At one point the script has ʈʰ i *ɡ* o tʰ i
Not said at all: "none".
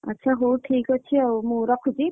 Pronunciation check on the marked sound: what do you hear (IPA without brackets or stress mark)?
k